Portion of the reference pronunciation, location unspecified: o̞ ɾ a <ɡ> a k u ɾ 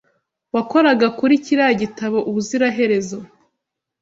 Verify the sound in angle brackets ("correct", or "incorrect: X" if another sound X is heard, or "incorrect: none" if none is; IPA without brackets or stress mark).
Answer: correct